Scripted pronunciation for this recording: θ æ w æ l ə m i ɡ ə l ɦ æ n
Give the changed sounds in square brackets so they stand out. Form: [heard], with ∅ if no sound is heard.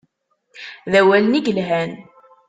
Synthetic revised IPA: [ð] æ w æ l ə [n] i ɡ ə l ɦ æ n